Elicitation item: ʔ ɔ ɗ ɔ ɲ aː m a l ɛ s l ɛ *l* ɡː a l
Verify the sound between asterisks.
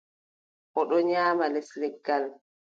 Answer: incorrect: none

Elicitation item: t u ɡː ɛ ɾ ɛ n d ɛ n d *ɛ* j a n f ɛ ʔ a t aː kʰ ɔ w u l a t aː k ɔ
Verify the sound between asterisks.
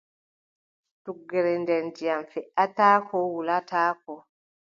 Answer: incorrect: i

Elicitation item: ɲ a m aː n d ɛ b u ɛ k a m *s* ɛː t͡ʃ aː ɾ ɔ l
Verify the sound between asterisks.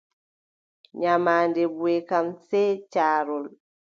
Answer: correct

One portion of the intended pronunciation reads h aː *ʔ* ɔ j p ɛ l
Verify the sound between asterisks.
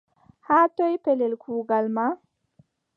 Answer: incorrect: t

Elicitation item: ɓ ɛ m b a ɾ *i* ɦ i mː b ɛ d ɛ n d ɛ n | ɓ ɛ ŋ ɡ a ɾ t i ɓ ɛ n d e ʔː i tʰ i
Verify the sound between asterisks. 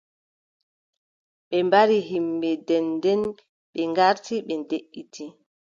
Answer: correct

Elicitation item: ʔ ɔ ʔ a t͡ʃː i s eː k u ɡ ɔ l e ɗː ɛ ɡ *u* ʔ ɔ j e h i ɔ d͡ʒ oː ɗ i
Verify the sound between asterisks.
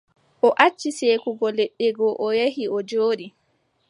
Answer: incorrect: ɔ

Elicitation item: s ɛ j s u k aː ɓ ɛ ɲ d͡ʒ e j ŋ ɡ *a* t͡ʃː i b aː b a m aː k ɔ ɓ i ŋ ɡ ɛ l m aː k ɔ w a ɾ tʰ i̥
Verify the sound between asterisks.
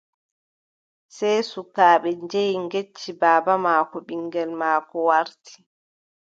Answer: incorrect: e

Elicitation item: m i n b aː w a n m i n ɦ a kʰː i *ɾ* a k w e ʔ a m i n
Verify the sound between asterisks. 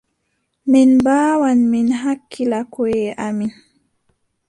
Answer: incorrect: l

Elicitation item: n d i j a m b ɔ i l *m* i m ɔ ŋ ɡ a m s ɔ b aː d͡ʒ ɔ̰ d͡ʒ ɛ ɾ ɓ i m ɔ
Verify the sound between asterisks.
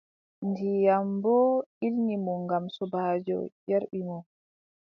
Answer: incorrect: n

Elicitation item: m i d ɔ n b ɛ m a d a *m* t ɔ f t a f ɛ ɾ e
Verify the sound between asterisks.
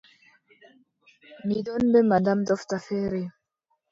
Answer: correct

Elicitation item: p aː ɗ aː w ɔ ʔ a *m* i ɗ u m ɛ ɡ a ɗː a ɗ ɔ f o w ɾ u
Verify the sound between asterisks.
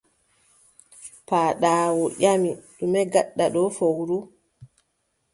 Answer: correct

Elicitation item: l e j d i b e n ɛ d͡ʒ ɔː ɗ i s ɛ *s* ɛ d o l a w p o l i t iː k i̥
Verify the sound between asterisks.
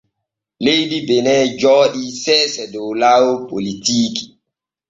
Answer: correct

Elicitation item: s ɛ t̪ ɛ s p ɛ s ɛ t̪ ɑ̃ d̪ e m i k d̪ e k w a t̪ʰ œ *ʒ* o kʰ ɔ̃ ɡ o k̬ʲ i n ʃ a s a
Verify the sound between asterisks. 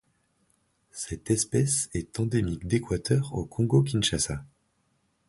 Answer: incorrect: ʁ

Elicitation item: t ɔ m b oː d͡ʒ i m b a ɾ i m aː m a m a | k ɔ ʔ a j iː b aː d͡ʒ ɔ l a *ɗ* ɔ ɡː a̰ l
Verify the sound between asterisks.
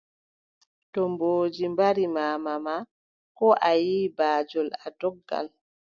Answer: incorrect: d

